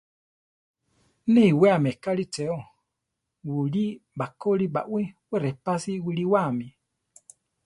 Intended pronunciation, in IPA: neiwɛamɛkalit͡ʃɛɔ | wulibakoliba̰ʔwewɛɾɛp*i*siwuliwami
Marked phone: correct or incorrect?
incorrect: a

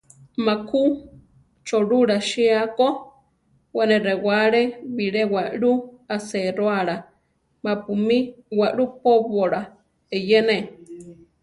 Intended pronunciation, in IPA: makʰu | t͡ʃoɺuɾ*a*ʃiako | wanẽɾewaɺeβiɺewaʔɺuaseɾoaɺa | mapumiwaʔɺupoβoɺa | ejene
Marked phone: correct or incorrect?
correct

